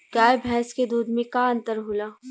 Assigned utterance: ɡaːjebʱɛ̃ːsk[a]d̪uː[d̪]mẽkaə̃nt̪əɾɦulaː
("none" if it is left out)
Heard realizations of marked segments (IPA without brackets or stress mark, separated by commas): e, d̪